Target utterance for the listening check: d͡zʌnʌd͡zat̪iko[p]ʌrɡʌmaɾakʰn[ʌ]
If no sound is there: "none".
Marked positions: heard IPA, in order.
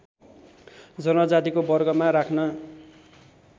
b, ʌ

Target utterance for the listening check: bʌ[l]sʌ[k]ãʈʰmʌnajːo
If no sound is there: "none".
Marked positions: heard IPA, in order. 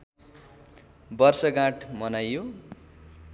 r, ɡ

